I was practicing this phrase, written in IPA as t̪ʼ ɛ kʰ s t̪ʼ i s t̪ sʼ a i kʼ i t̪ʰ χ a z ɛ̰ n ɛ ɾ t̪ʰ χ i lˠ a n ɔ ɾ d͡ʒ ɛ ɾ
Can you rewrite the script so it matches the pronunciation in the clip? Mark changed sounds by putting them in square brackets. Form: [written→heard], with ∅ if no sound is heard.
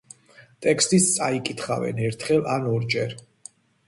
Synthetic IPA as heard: t̪ʼ ɛ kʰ s t̪ʼ i s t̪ sʼ a i kʼ i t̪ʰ χ a [z→v] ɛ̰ n ɛ ɾ t̪ʰ χ [i→ɛ] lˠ a n ɔ ɾ d͡ʒ ɛ ɾ